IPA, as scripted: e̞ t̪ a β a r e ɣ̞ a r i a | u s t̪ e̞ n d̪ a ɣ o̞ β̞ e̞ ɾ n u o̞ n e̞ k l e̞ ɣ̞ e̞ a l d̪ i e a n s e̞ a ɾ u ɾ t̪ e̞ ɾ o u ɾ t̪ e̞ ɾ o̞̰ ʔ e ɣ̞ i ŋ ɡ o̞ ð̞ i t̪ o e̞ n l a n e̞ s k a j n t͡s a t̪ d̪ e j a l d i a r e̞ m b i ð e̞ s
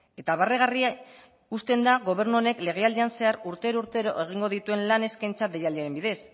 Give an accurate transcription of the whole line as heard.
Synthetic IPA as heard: e̞ t̪ a β a r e ɣ̞ a r i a | u s t̪ e̞ n d̪ a ɣ o̞ β̞ e̞ ɾ n u o̞ n e̞ k l e̞ ɣ̞ e̞ a l d̪ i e a n s e̞ a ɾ u ɾ t̪ e̞ ɾ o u ɾ t̪ e̞ ɾ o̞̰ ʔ e ɣ̞ i ŋ ɡ o̞ ð̞ i t̪ u e̞ n l a n e̞ s k a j n t͡s a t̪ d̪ e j a l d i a ɾ e̞ m b i ð e̞ s